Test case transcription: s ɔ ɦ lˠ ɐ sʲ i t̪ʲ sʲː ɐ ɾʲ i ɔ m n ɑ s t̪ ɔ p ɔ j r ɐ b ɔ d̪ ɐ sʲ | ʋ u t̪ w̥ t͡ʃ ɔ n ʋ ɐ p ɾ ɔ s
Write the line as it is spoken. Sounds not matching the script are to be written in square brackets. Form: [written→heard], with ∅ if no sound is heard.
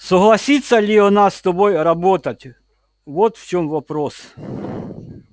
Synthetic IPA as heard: s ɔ ɦ lˠ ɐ sʲ i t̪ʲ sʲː ɐ [ɾʲ→lʲ] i ɔ [m→∅] n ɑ s t̪ ɔ [p→b] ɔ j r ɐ b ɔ [d̪→t̪] ɐ [sʲ→tʲ] | ʋ [u→ɔ] t̪ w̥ t͡ʃ ɔ [n→m] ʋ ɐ p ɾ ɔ s